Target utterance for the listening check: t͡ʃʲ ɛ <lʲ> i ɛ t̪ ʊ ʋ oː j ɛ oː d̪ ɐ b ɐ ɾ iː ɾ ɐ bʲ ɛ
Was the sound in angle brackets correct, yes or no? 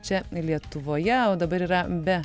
yes